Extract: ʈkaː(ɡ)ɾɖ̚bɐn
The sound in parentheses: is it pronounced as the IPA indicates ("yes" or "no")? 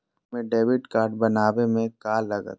no